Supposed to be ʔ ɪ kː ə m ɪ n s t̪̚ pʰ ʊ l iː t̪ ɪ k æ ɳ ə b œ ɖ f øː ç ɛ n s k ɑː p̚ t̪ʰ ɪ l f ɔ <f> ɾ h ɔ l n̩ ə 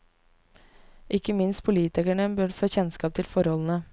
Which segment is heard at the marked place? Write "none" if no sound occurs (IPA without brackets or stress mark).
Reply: none